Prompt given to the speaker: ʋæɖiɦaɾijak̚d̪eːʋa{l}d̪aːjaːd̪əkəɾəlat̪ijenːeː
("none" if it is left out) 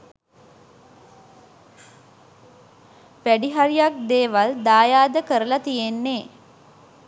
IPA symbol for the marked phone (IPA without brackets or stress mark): l